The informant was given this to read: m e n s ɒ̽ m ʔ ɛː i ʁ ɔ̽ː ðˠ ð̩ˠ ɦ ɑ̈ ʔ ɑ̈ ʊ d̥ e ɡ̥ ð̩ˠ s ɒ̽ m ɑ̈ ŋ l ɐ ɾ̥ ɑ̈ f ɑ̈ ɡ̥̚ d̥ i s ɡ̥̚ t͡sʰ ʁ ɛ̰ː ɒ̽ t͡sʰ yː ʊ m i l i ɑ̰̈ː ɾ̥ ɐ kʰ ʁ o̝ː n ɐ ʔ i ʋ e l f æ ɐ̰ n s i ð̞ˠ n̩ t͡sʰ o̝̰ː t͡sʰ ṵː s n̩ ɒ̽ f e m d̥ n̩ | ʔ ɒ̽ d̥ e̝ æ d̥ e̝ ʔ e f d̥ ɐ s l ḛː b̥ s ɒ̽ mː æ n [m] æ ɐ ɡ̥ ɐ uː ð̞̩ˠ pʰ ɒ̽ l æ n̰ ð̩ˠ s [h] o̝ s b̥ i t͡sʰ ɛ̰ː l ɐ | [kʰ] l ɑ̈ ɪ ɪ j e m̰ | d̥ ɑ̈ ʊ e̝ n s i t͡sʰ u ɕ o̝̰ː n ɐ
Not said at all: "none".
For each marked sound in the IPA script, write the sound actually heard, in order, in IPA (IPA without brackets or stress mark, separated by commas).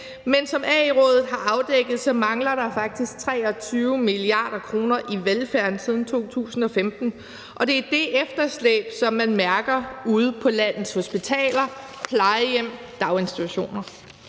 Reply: m, h, pʰ